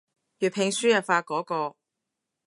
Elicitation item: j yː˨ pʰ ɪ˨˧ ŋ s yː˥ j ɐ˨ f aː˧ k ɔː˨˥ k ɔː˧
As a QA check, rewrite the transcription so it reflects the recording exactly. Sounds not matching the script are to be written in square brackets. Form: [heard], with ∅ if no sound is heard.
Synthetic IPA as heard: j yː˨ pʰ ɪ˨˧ ŋ s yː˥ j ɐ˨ f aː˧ k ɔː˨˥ k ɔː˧